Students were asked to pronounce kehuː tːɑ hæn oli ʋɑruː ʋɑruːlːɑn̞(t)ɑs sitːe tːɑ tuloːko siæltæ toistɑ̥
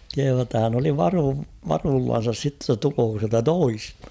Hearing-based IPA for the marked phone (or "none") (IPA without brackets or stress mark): s